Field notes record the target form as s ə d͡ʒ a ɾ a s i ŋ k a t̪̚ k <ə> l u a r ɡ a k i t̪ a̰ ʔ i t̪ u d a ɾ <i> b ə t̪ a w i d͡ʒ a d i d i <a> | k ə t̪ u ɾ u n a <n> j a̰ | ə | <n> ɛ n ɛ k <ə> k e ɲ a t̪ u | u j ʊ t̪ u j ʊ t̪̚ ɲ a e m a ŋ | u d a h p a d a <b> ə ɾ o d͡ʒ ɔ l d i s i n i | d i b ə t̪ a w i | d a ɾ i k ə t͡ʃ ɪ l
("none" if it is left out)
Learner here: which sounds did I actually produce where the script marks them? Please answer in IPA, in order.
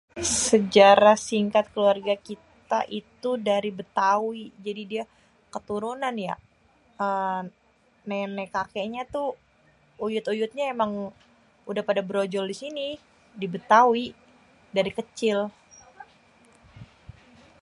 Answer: ə, i, a, n, n, a, b

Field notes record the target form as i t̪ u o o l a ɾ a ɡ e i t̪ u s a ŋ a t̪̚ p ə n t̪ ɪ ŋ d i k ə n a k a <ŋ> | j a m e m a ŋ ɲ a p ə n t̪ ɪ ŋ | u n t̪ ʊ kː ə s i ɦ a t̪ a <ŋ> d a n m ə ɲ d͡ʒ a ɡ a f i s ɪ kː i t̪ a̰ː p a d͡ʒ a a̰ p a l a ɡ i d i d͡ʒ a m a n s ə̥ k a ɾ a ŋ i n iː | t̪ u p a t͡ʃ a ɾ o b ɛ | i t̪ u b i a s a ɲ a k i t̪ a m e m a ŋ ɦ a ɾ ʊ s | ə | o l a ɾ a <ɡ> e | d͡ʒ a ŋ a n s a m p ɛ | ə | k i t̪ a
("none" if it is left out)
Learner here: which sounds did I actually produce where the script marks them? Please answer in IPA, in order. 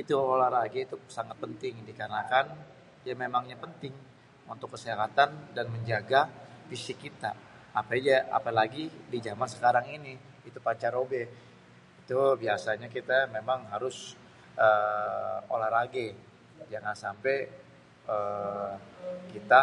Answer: n, n, ɡ

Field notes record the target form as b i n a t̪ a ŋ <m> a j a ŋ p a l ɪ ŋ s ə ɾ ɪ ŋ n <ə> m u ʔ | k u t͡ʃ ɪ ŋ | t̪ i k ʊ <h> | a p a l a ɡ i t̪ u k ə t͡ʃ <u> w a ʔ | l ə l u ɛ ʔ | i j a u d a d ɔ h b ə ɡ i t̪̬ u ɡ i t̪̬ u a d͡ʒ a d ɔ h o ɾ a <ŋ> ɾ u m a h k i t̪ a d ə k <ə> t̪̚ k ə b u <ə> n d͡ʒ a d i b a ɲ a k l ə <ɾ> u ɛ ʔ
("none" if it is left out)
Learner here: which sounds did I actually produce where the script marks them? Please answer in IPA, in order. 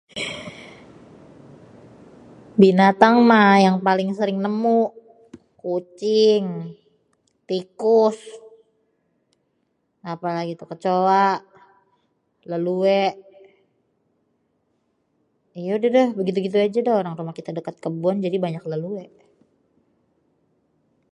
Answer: m, ə, s, o, ŋ, a, a, l

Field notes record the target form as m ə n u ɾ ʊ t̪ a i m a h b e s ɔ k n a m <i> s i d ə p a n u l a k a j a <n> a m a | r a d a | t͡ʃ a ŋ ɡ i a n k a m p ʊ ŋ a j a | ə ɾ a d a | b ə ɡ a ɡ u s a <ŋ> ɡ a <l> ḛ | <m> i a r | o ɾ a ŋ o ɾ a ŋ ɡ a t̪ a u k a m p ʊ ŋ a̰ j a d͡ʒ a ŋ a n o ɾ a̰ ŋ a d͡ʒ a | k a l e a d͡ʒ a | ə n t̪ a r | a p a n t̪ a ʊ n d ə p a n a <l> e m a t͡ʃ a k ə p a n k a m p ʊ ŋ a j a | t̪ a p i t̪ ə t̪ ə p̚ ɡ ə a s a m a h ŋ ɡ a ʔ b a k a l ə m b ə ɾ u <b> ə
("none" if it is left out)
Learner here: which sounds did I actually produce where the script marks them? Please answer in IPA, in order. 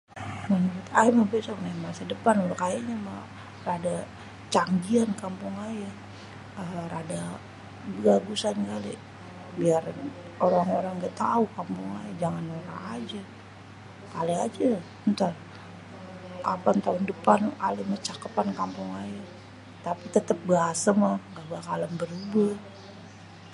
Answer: a, ɲ, n, l, b, l, b

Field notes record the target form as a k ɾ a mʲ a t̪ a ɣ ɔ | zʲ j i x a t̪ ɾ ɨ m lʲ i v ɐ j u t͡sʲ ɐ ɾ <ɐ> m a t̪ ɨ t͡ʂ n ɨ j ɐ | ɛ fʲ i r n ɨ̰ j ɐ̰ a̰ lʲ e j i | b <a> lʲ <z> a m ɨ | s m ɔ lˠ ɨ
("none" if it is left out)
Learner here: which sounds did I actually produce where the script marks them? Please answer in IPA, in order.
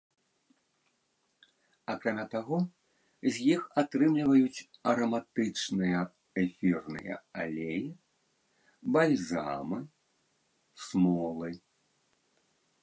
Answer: ɐ, a, z

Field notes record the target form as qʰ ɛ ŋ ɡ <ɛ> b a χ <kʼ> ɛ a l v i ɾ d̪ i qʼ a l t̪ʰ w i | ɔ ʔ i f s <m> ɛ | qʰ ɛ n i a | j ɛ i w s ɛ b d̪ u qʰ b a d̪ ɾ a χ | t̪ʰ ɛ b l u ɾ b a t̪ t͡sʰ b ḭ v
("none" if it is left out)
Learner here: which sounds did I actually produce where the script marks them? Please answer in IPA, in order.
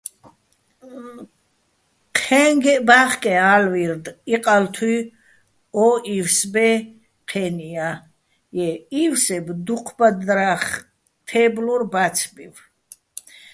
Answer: ɛ, kʼ, b

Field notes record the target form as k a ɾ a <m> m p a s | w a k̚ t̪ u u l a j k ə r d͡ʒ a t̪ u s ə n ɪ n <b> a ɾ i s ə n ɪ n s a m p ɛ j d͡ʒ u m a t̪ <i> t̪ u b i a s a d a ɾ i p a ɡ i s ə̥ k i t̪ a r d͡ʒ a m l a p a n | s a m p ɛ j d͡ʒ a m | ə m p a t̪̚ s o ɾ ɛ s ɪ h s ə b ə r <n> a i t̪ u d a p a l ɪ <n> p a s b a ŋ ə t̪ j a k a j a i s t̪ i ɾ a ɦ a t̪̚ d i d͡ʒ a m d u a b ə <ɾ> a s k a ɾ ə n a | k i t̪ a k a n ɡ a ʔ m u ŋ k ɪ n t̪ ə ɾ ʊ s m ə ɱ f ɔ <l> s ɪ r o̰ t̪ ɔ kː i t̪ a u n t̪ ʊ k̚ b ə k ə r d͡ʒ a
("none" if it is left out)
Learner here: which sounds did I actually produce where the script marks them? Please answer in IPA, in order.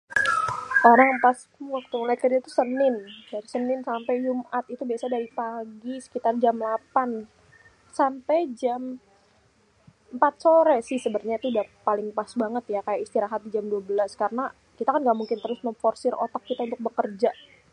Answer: ŋ, d, i, ɲ, ŋ, l, r

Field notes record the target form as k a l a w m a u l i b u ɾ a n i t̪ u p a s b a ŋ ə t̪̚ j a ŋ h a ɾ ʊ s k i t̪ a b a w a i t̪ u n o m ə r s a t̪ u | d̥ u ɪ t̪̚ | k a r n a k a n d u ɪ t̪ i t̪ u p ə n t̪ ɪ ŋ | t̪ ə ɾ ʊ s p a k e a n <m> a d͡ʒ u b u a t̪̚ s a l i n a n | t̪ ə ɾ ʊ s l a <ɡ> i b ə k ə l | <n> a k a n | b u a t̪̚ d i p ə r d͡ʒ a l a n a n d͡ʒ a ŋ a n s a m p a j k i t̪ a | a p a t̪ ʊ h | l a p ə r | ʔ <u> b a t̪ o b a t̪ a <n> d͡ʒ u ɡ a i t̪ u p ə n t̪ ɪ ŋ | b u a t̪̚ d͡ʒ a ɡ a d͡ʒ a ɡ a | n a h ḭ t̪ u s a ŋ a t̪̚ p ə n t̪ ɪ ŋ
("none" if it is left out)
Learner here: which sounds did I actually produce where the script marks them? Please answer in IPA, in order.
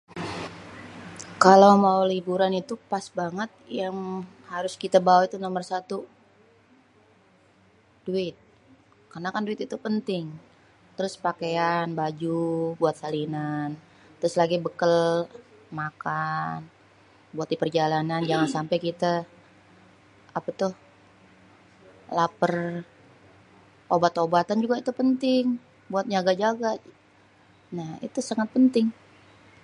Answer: b, ɡ, m, o, n

